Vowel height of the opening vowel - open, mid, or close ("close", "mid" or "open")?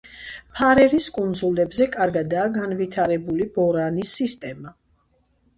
open